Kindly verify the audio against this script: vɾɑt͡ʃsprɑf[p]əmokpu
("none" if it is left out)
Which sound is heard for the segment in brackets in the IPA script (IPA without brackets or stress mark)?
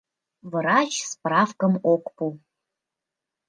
k